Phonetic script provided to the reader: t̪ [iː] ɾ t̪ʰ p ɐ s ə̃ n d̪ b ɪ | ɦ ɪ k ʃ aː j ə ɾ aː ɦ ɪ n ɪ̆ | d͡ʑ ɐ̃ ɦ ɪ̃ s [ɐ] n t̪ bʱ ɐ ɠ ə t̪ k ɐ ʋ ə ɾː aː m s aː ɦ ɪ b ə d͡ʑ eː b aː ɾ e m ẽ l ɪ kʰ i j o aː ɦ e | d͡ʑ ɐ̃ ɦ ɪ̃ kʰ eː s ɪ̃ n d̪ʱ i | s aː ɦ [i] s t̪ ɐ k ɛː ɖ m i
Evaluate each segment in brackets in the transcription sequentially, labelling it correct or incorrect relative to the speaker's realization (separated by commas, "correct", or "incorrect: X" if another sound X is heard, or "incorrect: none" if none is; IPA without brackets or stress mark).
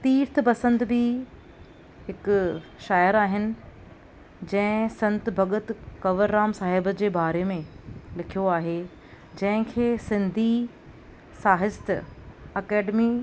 correct, incorrect: ɐ̃, incorrect: ɪ